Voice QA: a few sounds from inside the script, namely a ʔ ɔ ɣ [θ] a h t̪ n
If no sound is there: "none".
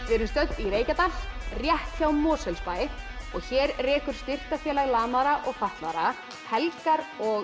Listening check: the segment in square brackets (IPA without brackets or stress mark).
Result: f